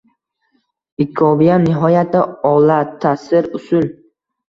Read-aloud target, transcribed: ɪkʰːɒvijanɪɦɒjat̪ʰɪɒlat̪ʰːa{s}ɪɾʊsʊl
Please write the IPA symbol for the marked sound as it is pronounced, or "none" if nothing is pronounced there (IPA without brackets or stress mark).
s